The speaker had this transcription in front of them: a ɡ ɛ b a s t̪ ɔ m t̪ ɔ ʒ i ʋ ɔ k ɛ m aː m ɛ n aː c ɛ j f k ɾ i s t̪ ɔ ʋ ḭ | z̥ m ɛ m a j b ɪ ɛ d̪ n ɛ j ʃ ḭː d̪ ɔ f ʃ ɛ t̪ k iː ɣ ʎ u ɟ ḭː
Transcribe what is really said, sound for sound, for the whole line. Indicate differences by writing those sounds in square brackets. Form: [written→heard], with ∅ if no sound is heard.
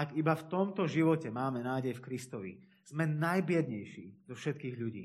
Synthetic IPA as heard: a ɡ [ɛ→i] b a [s→f] t̪ ɔ m t̪ ɔ ʒ i ʋ ɔ [k→c] ɛ m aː m ɛ n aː [c→ɟ] ɛ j f k ɾ i s t̪ ɔ ʋ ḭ | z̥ m ɛ [m→n] a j b ɪ ɛ d̪ [n→ɲ] ɛ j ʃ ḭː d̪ ɔ f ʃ ɛ t̪ k iː ɣ ʎ u ɟ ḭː